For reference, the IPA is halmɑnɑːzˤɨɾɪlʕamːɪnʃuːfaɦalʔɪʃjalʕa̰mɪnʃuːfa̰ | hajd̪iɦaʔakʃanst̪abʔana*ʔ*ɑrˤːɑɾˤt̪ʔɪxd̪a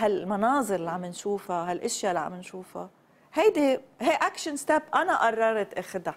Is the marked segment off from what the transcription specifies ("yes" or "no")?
no